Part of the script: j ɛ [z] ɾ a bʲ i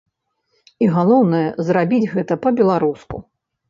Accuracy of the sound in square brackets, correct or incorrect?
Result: correct